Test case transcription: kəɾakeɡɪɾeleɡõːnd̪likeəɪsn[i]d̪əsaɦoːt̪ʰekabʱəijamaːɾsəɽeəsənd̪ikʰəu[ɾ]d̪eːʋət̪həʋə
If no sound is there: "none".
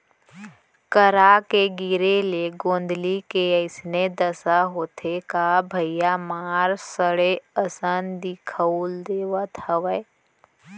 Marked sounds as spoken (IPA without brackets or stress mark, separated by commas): e, l